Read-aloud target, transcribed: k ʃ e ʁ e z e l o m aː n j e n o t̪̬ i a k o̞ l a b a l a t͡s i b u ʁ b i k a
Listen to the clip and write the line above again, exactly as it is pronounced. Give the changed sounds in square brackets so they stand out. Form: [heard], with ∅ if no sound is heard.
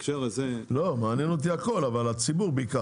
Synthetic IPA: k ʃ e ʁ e z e l o m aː n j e n o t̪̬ i a k o̞ l a [v] a l a t͡s i b u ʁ b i k a